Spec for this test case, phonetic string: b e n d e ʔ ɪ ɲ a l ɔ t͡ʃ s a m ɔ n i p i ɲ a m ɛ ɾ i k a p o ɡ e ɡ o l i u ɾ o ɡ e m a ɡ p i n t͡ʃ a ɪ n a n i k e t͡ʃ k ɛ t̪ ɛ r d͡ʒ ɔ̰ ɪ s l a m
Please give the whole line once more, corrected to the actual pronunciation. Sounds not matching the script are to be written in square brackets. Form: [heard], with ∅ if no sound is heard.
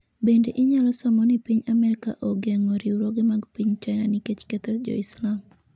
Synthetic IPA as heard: b e n d e ʔ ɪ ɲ a l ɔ [∅] s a m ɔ n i p i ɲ a m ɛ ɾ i k a [ʔ] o ɡ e [ŋ] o [ɾ] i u ɾ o ɡ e m a ɡ p i [ɲ] t͡ʃ a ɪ n a n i k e t͡ʃ k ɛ t̪ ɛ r d͡ʒ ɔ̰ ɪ s l a m